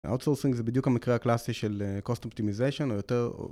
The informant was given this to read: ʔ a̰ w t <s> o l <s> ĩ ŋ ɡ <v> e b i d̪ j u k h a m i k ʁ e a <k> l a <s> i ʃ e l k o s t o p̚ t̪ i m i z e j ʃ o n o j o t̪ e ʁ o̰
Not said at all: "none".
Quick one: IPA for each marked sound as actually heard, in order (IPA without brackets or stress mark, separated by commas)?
s, s, z, k, s